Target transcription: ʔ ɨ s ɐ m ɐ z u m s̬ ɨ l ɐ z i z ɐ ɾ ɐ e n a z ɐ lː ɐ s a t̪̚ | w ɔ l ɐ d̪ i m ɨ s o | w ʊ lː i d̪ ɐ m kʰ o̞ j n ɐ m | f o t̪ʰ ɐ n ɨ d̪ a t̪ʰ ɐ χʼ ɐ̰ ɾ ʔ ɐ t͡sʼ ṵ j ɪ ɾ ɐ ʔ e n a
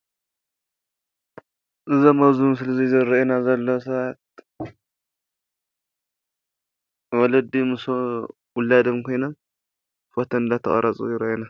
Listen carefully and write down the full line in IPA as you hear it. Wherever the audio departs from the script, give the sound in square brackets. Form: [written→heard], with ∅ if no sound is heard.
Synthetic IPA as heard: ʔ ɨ [s→z] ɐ m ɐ z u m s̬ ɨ l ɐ z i z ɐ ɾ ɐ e n a z ɐ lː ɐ s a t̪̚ | w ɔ l ɐ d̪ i m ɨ s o | w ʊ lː [i→a] d̪ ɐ m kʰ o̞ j n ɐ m | f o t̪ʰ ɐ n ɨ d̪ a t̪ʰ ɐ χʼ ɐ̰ ɾ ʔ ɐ t͡sʼ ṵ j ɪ ɾ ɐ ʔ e n a

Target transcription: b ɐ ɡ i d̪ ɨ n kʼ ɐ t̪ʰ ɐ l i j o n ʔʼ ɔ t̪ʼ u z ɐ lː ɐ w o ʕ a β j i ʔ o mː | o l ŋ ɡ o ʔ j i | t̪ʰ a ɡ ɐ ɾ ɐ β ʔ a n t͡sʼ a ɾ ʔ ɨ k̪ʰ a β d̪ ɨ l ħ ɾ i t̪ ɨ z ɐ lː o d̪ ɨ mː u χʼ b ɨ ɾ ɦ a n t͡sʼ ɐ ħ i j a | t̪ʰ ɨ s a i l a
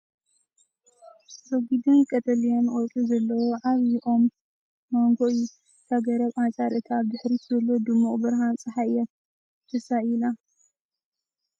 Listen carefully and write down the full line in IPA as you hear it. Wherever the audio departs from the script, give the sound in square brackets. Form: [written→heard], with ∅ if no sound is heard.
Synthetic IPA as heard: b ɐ ɡ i d̪ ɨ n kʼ ɐ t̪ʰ ɐ l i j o n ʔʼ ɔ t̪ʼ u z ɐ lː ɐ w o ʕ a β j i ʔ o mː | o [l→∅] ŋ ɡ o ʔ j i | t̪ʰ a ɡ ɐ ɾ ɐ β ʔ a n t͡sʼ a ɾ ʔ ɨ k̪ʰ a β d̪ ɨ [l→∅] ħ ɾ i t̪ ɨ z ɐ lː o d̪ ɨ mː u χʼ b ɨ ɾ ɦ a n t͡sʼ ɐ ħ [i→a] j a | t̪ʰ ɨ s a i l a

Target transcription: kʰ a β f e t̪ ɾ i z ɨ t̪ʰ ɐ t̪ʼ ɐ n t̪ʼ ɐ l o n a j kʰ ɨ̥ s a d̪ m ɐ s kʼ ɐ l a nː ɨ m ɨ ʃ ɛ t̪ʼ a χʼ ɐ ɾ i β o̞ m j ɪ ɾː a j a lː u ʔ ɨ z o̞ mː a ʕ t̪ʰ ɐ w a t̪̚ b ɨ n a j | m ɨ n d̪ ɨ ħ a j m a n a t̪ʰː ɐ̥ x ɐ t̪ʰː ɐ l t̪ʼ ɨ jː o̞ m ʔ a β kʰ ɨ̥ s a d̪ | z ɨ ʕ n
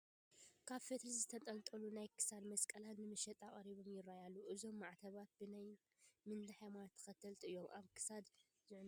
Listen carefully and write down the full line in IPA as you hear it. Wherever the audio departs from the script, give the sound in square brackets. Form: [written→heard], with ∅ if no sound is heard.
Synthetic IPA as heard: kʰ a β f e t̪ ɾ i z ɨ t̪ʰ ɐ t̪ʼ ɐ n t̪ʼ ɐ l [o→u] n a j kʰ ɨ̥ s a d̪ m ɐ s kʼ ɐ l a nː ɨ m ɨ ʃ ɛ t̪ʼ a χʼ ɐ ɾ i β o̞ m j ɪ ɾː a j a lː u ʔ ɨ z o̞ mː a ʕ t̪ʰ ɐ [w→β] a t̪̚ b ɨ n a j | m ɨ n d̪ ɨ ħ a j m a n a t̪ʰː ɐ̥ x ɐ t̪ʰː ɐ l t̪ʼ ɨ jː o̞ m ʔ a β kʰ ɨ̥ s a d̪ | z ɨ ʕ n

